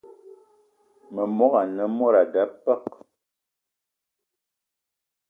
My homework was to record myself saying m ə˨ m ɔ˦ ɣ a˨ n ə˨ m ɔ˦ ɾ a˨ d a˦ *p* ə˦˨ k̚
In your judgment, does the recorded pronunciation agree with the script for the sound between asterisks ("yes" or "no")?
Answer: yes